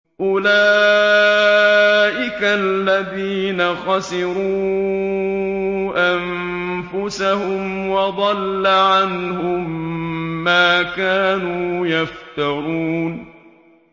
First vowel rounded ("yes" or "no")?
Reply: yes